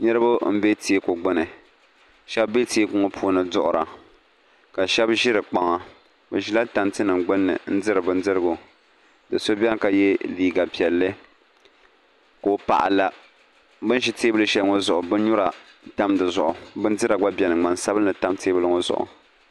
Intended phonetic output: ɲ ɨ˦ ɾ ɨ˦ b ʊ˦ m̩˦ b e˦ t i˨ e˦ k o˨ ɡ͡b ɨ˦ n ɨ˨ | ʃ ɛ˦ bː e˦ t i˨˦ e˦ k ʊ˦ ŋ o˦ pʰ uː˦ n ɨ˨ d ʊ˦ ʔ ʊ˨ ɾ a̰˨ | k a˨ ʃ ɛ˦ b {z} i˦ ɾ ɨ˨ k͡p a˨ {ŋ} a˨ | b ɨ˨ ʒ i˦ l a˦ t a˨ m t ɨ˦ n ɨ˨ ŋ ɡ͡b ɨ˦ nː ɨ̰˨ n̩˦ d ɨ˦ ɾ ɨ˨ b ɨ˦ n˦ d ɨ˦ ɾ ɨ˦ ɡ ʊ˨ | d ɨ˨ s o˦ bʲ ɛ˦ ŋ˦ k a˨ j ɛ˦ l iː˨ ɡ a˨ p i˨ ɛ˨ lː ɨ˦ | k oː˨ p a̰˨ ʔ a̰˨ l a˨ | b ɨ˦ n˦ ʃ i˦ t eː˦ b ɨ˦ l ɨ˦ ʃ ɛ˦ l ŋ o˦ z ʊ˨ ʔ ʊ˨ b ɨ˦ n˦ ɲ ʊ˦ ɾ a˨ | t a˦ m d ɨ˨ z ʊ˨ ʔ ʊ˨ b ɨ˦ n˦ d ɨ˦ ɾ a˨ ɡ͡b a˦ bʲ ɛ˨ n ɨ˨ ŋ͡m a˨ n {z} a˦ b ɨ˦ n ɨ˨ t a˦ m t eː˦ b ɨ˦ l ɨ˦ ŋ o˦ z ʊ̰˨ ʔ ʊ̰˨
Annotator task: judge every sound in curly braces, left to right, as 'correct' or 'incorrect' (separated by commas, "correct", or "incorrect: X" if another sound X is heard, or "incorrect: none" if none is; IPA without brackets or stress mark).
incorrect: ʒ, correct, incorrect: s